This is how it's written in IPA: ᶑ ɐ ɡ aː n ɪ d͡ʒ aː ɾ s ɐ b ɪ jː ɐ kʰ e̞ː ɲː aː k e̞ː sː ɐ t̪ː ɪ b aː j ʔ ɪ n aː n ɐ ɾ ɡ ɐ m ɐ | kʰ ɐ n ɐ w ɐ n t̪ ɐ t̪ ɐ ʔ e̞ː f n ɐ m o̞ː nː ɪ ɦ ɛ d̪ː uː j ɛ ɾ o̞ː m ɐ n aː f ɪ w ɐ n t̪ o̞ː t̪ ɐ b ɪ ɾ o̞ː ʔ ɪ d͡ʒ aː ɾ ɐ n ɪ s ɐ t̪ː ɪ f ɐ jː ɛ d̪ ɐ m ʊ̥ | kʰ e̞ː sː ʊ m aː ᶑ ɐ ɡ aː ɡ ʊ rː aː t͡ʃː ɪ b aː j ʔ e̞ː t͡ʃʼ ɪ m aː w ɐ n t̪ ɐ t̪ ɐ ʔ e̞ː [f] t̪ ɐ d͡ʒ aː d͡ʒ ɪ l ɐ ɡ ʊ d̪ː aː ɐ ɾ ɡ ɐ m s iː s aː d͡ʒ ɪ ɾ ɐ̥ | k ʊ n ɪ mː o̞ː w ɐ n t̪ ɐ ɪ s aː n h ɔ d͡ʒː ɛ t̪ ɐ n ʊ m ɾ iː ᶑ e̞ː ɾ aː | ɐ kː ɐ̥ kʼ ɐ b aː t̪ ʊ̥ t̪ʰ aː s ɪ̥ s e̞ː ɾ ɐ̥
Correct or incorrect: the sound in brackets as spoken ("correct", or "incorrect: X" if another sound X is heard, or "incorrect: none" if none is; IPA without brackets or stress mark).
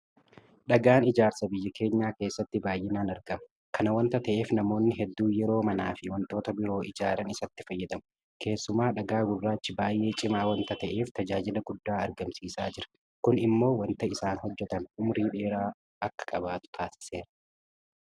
correct